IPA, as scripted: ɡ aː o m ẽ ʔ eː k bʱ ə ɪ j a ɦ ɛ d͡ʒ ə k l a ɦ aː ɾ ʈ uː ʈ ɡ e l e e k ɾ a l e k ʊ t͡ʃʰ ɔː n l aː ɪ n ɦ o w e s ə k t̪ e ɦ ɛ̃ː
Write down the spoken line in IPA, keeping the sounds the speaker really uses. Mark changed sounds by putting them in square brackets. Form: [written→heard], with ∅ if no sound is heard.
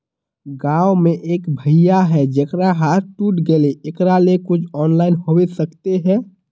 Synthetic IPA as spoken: ɡ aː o m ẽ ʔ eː k bʱ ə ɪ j a ɦ ɛ d͡ʒ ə k [l→ɾ] a ɦ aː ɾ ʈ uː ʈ ɡ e l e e k ɾ a l e k ʊ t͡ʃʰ ɔː n l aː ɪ n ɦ o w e s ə k t̪ e ɦ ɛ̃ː